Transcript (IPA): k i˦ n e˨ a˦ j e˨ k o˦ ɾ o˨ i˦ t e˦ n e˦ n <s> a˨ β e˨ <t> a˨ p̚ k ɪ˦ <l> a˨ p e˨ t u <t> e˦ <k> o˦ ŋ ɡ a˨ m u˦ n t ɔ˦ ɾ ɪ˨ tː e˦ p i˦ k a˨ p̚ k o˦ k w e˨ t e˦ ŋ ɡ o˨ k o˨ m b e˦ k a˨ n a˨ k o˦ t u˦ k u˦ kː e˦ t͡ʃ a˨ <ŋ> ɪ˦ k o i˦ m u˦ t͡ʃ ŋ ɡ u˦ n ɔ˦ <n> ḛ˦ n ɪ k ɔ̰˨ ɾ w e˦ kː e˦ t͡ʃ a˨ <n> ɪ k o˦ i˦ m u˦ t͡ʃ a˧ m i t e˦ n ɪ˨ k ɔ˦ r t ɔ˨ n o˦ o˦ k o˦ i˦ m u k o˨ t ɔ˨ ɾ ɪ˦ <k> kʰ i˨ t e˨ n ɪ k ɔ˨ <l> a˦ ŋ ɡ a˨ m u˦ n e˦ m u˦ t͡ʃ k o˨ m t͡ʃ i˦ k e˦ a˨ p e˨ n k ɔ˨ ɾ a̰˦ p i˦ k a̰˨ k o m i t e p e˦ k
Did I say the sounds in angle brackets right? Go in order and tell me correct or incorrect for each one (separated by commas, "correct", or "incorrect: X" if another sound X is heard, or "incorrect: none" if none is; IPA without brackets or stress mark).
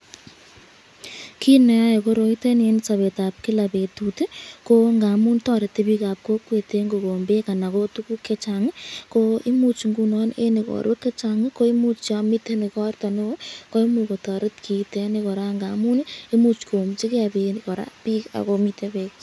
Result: correct, correct, correct, correct, correct, correct, correct, incorrect: ŋ, incorrect: t, incorrect: ɾ